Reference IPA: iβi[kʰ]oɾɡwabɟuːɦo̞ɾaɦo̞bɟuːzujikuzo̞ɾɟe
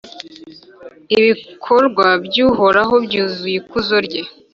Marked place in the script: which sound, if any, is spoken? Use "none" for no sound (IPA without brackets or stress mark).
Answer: kʰ